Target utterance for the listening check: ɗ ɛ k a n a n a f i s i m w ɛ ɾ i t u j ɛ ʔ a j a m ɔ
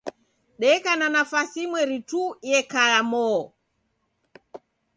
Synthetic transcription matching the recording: ɗ ɛ k a n a n a f a s i m w ɛ ɾ i t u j ɛ k a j a m ɔ